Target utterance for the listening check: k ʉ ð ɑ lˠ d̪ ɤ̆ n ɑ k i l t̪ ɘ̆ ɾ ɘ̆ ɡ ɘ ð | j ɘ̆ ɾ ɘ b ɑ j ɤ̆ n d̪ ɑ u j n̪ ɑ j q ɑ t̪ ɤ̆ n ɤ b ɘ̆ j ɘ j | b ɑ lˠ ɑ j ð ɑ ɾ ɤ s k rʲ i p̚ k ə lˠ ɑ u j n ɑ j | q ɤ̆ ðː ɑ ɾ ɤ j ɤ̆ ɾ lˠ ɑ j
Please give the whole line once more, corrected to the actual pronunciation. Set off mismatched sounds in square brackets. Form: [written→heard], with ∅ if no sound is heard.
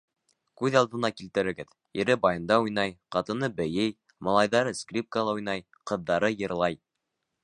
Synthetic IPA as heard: k ʉ ð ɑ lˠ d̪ ɤ̆ n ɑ k i l t̪ ɘ̆ ɾ ɘ̆ ɡ ɘ ð | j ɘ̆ ɾ ɘ b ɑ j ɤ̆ n d̪ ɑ u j n̪ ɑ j q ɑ t̪ ɤ̆ n ɤ b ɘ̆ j ɘ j | [b→m] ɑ lˠ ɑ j ð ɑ ɾ ɤ s k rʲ i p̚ k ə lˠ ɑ u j n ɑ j | q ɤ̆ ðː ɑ ɾ ɤ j ɤ̆ ɾ lˠ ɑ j